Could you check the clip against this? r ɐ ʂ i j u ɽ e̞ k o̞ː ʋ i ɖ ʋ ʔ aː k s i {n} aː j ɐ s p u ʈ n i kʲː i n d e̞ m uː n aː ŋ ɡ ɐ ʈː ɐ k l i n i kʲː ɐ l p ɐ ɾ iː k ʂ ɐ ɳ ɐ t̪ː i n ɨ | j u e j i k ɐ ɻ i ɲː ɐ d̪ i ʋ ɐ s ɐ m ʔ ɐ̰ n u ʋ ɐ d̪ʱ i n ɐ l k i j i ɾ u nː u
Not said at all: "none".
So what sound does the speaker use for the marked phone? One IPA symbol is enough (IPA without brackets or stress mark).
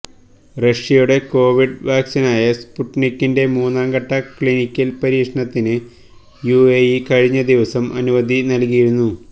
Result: n